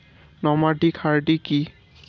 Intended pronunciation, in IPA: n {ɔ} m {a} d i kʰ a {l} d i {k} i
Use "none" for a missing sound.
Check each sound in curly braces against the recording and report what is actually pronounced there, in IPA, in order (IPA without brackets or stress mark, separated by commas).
ɔ, a, ɹ, k